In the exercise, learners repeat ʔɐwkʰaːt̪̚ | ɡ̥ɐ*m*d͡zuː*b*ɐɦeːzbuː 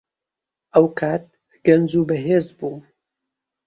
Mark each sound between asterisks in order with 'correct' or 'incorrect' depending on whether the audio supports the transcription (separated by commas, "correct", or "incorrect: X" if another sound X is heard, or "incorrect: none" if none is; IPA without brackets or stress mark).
incorrect: n, correct